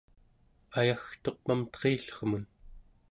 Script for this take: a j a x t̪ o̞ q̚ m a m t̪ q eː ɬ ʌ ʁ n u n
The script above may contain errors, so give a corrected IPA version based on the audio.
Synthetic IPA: a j a x t̪ o̞ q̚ m a m t̪ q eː ɬ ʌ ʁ m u n